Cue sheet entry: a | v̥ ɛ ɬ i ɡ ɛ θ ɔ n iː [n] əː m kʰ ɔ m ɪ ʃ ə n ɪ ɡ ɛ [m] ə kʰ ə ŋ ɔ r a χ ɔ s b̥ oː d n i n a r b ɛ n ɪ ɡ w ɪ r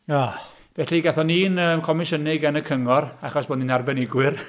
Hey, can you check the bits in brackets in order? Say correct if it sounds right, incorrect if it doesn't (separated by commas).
correct, incorrect